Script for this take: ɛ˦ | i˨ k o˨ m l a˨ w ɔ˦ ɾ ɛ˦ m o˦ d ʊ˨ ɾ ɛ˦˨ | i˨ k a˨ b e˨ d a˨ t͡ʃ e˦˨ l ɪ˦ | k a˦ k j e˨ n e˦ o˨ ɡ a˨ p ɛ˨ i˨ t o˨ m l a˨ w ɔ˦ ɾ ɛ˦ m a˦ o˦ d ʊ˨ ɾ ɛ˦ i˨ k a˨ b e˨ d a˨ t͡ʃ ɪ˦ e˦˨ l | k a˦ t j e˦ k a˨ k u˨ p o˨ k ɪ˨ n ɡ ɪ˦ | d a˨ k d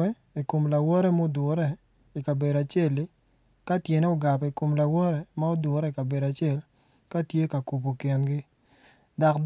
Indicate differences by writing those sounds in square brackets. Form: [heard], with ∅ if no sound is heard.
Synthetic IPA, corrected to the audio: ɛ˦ | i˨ k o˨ m l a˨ w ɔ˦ ɾ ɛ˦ m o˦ d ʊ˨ ɾ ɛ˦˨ | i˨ k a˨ b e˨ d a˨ t͡ʃ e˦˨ l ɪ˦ | k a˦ [t] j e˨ n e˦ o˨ ɡ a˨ p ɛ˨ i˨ [k] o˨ m l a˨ w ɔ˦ ɾ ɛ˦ m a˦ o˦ d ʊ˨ ɾ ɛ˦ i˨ k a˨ b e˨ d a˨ t͡ʃ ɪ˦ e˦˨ l | k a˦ t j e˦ k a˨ k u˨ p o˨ k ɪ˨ n ɡ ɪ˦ | d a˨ k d